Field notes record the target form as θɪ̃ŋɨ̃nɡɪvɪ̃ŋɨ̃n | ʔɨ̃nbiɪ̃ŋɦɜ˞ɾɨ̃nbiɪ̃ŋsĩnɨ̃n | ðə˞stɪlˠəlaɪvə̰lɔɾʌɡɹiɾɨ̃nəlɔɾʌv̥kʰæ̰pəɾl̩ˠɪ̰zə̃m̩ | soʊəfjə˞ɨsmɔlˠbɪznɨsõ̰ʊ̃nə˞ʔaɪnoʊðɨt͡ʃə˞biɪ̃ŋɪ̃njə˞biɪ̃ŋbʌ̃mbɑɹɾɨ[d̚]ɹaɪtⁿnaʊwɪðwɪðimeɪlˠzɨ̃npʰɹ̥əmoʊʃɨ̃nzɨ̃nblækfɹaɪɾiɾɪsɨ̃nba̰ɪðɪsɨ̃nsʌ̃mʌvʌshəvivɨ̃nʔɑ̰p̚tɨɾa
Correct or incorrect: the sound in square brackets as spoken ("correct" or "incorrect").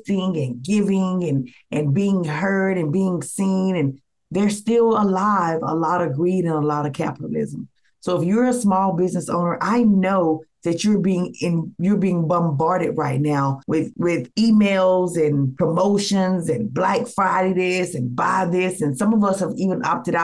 correct